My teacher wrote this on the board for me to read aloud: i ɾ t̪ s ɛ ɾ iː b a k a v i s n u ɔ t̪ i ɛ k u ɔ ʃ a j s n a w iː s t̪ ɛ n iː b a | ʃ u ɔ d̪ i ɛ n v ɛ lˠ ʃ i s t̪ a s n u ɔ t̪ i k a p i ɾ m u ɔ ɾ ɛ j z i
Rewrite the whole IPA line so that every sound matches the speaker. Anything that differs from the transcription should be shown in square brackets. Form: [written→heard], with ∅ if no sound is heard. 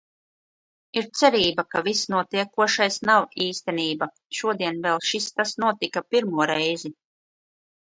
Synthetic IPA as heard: i ɾ t̪ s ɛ ɾ iː b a k a v i s n u ɔ t̪ i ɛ k u ɔ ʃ a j s n a w iː s t̪ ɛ n iː b a | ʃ u ɔ d̪ i ɛ n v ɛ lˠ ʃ i s t̪ a s n u ɔ t̪ i k a p i ɾ m u ɔ ɾ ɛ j z i